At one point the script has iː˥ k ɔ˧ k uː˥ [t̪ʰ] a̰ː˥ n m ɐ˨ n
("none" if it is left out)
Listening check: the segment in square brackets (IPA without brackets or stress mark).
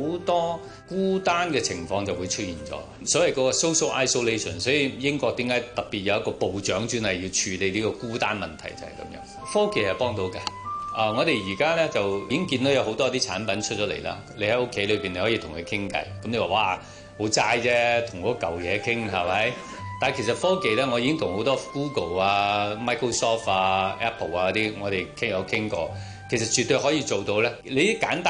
t̪